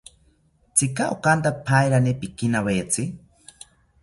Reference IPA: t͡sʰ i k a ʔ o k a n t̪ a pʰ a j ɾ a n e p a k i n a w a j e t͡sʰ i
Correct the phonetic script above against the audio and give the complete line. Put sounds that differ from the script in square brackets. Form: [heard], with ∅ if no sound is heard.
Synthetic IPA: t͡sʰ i k a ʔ o k a n t̪ a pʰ a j ɾ a n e p [i] k i n a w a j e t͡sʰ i